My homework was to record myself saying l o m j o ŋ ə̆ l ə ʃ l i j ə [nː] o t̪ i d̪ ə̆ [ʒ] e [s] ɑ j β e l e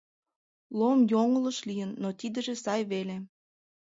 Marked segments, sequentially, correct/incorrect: correct, correct, correct

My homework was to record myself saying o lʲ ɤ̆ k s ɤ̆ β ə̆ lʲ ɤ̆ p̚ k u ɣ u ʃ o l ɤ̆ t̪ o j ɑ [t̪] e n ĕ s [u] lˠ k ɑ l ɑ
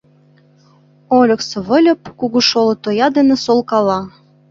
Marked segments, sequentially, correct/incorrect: incorrect, incorrect

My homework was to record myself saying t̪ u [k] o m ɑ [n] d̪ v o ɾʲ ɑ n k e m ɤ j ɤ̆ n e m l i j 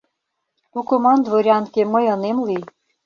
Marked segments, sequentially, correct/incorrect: correct, correct

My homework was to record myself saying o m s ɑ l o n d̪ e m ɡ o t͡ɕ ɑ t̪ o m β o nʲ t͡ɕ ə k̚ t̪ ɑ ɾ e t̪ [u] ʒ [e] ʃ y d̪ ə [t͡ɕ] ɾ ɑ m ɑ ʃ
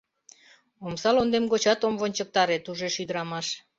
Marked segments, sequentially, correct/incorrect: correct, correct, incorrect

